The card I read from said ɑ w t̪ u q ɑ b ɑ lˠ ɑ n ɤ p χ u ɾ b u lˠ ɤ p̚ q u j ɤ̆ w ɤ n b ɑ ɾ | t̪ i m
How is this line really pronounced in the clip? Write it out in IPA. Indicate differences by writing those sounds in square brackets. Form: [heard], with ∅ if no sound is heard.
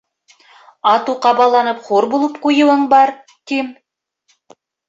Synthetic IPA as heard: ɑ [∅] t̪ u q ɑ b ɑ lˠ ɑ n ɤ p χ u ɾ b u lˠ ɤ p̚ q u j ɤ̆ w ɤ [ɴ] b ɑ ɾ | t̪ i m